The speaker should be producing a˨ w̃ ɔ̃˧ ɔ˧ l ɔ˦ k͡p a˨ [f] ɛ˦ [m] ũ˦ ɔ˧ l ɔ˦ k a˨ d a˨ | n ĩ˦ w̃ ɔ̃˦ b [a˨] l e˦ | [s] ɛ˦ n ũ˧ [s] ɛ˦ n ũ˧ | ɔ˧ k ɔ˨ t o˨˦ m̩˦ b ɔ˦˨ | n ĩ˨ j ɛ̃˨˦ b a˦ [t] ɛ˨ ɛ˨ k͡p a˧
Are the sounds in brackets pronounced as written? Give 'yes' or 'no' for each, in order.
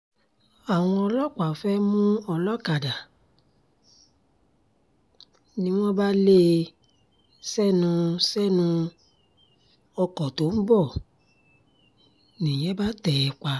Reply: yes, yes, no, yes, yes, yes

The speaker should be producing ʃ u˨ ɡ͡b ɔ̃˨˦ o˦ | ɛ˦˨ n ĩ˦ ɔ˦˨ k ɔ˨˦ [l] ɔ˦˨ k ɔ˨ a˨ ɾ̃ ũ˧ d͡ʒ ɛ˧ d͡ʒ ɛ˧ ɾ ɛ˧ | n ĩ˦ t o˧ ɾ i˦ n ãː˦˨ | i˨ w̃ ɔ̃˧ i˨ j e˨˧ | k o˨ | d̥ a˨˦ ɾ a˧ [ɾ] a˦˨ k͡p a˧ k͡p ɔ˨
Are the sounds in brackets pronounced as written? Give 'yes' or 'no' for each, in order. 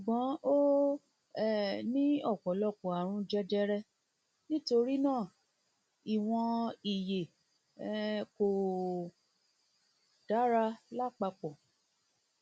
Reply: yes, no

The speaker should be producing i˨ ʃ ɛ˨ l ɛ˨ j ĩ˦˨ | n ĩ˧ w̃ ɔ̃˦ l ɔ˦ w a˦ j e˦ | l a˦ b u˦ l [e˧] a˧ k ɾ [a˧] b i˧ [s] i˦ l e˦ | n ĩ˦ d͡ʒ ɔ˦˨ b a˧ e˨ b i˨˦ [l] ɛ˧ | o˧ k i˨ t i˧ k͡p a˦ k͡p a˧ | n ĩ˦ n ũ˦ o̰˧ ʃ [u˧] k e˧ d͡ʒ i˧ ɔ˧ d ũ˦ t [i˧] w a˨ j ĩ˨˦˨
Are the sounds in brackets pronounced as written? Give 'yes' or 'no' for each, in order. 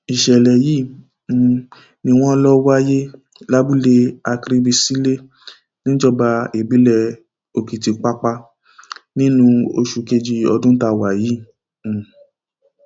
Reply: yes, no, yes, yes, yes, no

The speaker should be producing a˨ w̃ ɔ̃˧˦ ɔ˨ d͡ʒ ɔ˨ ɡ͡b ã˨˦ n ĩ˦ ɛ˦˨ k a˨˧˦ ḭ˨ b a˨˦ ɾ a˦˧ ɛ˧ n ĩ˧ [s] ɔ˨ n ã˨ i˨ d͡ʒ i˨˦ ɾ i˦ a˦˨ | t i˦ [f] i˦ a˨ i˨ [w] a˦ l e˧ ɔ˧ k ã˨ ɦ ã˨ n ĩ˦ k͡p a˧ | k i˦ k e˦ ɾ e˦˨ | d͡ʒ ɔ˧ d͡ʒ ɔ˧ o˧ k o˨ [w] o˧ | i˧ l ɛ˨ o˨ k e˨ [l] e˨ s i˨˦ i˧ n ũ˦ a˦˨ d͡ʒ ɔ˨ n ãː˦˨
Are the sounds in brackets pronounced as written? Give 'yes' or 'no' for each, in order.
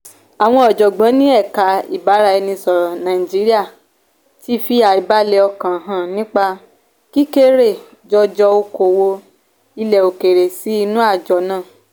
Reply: yes, yes, no, yes, no

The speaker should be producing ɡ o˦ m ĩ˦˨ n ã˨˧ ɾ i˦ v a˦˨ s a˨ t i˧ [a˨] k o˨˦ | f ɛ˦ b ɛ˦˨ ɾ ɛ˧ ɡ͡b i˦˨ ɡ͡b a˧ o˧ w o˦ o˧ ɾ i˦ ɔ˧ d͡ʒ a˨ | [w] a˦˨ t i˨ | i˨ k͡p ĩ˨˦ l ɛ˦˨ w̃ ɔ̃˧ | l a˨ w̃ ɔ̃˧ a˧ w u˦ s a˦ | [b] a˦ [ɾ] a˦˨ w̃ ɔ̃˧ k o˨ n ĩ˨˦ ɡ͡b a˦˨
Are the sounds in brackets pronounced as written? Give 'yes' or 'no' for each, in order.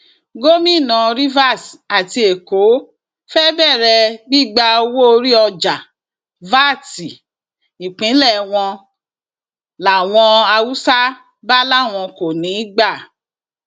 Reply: no, no, yes, no

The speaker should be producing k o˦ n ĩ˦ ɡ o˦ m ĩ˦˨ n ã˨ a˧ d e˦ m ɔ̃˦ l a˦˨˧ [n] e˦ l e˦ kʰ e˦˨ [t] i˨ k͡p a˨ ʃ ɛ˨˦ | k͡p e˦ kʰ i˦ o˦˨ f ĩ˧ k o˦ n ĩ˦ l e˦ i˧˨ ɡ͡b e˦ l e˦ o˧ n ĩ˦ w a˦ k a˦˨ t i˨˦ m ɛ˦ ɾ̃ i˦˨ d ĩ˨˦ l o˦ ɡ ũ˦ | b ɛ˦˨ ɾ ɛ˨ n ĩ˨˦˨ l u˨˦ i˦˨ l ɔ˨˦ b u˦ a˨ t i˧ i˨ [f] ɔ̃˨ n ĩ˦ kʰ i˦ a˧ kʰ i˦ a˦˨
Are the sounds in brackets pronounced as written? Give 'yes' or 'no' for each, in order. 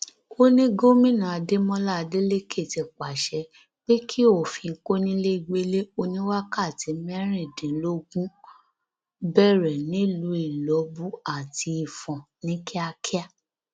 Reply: no, yes, yes

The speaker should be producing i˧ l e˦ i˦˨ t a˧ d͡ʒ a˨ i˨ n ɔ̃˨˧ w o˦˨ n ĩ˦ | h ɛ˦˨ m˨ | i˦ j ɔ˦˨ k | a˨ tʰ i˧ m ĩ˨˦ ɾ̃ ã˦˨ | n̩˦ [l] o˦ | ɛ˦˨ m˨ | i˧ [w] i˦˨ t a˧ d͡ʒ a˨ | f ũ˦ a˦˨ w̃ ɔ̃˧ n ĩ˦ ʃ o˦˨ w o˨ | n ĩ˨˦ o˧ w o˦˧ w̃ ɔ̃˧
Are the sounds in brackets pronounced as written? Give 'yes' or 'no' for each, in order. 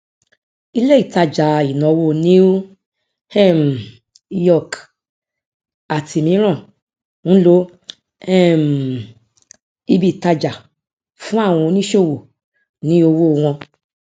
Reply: yes, no

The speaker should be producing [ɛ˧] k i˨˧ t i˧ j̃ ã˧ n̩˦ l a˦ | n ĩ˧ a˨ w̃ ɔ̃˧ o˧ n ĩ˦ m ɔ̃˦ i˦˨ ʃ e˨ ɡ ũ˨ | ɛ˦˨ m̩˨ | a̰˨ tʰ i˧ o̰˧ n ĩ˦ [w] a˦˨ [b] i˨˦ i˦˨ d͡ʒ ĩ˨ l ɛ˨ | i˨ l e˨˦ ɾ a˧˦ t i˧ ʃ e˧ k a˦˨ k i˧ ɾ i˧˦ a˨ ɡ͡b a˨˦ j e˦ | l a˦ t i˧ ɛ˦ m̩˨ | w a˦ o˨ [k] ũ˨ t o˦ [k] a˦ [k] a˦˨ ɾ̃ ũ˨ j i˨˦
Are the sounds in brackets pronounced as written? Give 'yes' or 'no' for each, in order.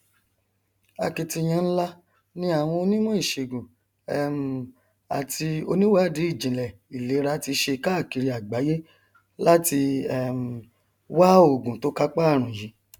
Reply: no, yes, no, no, yes, no

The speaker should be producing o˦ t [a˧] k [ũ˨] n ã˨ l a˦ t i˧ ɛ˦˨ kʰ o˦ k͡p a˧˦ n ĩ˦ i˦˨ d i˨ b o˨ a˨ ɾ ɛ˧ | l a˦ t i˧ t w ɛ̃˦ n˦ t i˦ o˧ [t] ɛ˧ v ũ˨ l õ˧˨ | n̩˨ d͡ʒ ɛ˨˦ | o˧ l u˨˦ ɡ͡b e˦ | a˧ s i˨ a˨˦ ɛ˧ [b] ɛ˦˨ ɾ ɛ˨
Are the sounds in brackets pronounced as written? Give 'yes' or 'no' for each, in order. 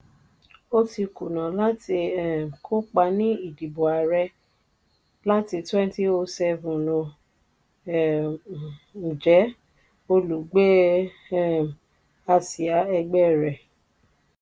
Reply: no, no, no, no

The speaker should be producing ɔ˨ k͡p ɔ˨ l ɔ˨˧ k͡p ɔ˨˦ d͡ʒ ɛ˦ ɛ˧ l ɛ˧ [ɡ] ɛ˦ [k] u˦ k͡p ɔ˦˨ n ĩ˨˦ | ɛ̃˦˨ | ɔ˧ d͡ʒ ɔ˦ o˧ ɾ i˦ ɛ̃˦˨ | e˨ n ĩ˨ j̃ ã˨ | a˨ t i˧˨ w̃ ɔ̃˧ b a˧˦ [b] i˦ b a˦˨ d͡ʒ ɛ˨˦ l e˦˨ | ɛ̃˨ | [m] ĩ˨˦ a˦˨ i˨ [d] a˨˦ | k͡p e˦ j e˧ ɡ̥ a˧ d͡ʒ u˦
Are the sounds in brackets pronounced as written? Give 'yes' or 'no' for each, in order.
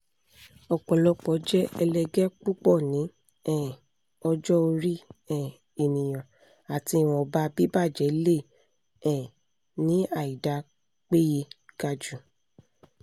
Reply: yes, no, yes, no, yes

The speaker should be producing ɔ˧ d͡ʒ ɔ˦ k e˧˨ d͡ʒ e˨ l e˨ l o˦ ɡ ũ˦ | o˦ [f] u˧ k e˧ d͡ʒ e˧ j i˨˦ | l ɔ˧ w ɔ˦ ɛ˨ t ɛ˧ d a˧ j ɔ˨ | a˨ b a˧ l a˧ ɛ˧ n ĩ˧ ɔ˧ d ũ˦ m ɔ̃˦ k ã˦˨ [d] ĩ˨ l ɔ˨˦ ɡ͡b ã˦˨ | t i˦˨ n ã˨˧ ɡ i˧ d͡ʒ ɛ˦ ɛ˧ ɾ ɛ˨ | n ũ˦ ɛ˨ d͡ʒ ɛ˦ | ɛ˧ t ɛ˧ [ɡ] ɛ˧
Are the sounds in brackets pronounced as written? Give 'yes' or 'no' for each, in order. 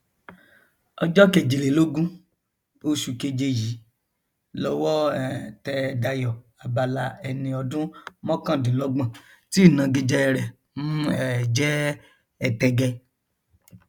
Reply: no, yes, yes

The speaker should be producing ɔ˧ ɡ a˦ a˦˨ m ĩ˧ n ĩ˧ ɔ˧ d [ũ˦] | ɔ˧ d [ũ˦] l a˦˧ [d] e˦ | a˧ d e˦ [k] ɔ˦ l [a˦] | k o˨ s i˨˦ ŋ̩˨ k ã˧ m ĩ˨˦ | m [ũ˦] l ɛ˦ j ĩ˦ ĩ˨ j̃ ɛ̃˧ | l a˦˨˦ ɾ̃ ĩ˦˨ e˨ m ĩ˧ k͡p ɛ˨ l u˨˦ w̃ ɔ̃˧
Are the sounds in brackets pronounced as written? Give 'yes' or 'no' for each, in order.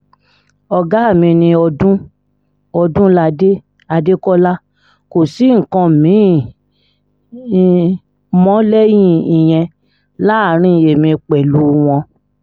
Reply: yes, yes, yes, yes, yes, no

